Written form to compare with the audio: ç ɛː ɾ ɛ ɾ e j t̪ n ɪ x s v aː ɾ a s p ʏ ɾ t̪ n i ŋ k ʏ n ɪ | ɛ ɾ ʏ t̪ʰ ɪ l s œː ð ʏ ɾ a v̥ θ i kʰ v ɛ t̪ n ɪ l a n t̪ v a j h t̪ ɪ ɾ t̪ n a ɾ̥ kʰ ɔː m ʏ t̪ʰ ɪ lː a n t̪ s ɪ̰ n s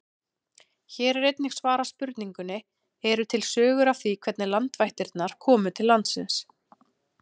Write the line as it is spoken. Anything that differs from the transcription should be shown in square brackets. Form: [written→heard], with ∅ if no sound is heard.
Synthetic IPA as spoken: ç ɛː ɾ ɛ ɾ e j t̪ n ɪ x s v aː ɾ a s p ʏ ɾ t̪ n i ŋ k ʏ n ɪ | ɛ ɾ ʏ t̪ʰ ɪ l s œː [ð→ɣ] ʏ ɾ a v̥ θ i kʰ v ɛ t̪ n ɪ l a n t̪ v a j h t̪ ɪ ɾ t̪ n a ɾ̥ kʰ ɔː m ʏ t̪ʰ ɪ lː a n t̪ s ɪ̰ n s